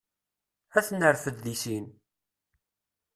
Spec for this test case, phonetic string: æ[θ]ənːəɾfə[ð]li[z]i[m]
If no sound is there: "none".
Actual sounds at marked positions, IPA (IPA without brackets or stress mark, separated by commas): θ, ð, s, n